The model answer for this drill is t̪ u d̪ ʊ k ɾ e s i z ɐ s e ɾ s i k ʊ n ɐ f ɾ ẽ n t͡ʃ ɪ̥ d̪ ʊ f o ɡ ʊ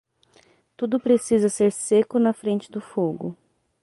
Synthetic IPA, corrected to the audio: t̪ u d̪ ʊ p ɾ e s i z ɐ s e ɾ s e k ʊ n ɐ f ɾ ẽ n t͡ʃ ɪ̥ d̪ ʊ f o ɡ ʊ